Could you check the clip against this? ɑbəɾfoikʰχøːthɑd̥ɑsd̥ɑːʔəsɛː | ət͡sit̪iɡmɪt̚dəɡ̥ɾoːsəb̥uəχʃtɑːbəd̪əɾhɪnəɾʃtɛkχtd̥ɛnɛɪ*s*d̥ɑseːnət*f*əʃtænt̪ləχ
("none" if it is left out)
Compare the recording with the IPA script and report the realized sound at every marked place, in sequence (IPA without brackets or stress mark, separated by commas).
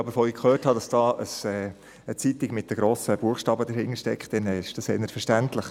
ʃ, f